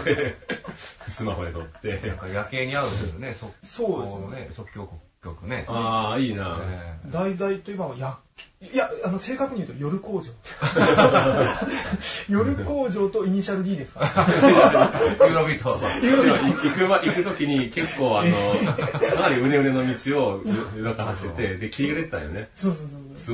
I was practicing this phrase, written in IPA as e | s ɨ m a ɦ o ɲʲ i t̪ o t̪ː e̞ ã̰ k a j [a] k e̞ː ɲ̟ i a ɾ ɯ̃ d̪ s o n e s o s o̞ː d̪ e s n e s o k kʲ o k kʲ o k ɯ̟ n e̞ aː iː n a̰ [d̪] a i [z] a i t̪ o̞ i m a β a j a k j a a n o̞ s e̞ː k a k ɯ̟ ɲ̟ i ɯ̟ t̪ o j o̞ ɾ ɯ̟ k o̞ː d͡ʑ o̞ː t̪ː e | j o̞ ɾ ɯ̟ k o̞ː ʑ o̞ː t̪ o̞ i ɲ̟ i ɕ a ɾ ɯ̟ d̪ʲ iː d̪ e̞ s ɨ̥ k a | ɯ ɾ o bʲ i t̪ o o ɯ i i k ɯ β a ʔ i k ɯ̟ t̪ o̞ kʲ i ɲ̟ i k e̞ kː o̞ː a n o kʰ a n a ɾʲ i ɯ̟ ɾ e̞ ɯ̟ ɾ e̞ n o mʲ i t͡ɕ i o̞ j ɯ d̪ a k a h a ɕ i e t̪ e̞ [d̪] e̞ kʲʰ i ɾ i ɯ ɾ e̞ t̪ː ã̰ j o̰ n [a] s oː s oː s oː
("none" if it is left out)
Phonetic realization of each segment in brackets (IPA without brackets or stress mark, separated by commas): a, d̪, z, d̪, e